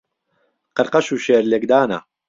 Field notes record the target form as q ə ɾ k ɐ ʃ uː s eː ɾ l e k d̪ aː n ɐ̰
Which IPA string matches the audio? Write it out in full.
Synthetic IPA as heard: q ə ɾ q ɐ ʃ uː ʃ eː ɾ l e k d̪ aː n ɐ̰